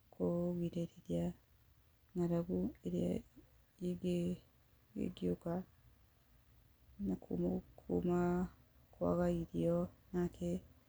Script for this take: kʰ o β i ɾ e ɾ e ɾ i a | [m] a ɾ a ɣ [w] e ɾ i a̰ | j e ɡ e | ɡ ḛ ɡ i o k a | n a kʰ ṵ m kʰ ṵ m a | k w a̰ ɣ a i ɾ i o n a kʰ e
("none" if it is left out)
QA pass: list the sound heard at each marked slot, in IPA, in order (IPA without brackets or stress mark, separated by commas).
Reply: ŋ, u